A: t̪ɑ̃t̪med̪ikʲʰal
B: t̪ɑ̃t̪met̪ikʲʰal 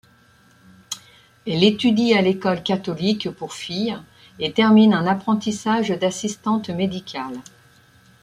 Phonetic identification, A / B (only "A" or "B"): A